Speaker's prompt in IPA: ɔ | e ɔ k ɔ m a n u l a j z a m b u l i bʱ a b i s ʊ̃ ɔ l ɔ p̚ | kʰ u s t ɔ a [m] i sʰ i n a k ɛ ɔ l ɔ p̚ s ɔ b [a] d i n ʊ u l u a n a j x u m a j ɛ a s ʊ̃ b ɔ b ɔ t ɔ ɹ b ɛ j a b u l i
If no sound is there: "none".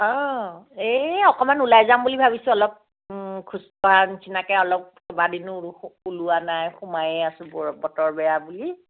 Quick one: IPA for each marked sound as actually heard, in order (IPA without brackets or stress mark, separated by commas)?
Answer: n, a